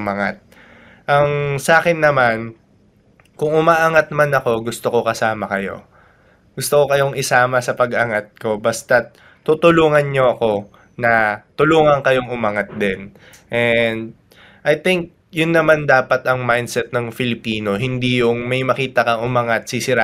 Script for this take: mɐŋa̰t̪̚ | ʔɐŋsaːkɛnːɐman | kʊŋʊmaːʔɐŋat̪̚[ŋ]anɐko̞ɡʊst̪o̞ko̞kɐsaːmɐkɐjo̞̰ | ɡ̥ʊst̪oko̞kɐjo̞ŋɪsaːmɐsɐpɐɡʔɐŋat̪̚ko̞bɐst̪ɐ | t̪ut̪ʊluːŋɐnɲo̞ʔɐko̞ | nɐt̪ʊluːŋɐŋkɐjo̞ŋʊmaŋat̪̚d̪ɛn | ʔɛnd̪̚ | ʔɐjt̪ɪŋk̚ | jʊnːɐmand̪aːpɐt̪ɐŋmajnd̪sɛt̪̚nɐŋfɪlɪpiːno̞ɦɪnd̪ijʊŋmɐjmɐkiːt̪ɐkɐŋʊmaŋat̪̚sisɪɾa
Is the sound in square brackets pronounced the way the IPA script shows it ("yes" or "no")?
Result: no